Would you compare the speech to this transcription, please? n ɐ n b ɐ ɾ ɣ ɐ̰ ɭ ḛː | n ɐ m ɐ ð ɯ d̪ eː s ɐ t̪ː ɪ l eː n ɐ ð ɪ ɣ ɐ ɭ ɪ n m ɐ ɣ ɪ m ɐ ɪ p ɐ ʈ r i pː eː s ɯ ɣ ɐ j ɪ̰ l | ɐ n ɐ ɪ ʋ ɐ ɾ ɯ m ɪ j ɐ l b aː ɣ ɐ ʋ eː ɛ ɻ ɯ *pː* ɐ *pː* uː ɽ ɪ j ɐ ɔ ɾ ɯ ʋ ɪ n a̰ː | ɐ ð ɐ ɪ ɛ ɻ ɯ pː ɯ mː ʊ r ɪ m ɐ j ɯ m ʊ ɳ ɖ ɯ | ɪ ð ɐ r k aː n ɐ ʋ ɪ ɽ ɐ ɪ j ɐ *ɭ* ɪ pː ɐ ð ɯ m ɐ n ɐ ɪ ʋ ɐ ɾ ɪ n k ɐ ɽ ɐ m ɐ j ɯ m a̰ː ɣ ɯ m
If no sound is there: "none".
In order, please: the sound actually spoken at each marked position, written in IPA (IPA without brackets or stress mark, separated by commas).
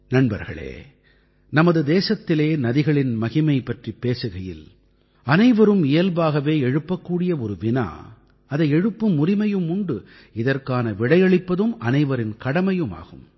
pː, kː, ɭ